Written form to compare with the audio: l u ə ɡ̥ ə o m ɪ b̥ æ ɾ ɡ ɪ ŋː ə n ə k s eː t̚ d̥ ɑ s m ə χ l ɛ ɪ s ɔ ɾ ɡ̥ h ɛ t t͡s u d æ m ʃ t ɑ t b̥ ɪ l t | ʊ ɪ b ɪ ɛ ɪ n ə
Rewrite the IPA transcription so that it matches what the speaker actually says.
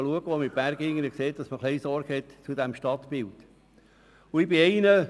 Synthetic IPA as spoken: l u ə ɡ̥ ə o m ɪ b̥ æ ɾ ɡ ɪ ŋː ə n ə k s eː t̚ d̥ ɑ s m ə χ l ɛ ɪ s ɔ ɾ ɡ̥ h ɛ t t͡s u d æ m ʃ t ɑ t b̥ ɪ l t | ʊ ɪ b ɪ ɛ ɪ n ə